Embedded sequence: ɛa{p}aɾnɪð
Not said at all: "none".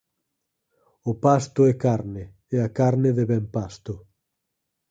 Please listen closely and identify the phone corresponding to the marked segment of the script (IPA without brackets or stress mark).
k